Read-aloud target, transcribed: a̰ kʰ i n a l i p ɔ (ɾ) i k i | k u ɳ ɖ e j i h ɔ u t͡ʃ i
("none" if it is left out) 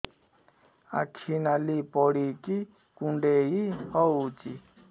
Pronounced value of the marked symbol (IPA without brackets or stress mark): ɽ